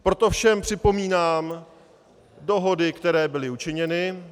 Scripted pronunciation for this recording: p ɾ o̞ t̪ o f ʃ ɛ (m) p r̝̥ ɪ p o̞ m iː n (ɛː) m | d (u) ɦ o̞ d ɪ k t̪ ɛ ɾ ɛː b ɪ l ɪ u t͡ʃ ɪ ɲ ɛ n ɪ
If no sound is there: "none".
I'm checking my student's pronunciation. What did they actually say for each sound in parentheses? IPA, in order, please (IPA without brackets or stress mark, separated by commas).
m, aː, o